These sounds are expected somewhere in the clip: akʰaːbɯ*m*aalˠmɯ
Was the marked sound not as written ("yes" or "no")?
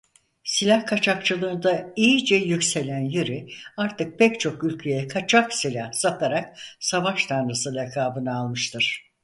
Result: yes